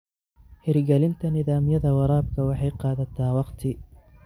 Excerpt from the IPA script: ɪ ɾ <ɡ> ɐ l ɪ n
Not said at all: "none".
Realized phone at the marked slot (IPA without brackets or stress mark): ɡ